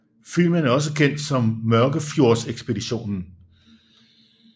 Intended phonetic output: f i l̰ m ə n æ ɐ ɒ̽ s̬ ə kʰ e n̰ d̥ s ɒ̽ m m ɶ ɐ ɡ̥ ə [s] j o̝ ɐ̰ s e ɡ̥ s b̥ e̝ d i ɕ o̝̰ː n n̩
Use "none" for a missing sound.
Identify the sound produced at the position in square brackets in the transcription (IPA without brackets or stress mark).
f